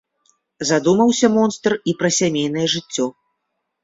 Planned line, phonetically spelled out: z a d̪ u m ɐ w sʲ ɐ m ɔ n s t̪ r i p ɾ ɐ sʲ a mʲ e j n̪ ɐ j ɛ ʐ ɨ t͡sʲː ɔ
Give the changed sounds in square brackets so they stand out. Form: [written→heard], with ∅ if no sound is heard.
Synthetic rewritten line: z a d̪ u m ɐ w sʲ ɐ m ɔ n s t̪ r i p ɾ ɐ sʲ a mʲ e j n̪ ɐ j ɛ ʐ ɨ t͡sʲː ɔ